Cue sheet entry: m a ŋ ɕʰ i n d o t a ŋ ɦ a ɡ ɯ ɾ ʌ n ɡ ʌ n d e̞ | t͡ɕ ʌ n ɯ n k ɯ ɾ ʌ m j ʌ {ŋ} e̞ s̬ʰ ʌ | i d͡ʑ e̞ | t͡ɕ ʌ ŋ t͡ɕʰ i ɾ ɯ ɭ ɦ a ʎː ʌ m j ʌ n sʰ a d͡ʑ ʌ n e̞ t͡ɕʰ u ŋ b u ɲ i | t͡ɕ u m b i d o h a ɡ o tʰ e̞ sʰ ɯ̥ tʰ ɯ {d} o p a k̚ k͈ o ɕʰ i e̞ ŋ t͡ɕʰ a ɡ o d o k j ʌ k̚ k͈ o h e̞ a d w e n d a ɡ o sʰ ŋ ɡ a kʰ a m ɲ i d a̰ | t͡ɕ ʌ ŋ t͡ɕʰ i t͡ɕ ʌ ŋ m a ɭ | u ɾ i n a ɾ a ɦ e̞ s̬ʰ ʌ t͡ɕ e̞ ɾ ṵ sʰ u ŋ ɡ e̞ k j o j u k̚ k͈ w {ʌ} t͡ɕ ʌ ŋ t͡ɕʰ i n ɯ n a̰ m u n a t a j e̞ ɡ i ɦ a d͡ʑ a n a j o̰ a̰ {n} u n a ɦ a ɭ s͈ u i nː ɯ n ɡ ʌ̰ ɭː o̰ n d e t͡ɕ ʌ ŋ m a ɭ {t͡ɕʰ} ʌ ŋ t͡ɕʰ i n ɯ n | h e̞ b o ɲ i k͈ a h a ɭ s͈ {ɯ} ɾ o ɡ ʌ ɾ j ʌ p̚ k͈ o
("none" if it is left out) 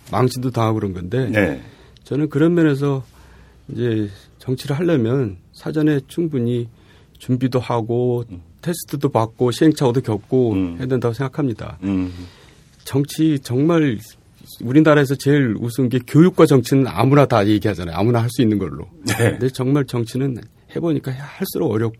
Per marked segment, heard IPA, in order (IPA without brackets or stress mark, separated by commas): n, d, a, m, t͡ɕ, u